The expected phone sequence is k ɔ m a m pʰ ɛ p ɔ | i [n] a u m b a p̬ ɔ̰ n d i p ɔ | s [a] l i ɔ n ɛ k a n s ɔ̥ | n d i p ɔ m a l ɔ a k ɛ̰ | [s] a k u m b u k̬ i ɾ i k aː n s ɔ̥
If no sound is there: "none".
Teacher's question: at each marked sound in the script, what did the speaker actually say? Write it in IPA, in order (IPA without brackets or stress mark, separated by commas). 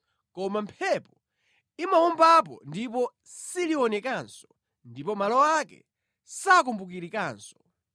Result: m, i, s